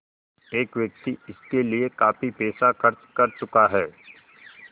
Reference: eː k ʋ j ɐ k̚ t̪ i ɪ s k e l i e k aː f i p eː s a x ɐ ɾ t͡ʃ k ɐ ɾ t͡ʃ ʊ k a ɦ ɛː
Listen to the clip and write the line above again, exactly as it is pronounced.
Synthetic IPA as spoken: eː k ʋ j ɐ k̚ t̪ i ɪ s k e l i e k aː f i p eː s a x ɐ ɾ t͡ʃ k ɐ ɾ t͡ʃ ʊ k a ɦ ɛː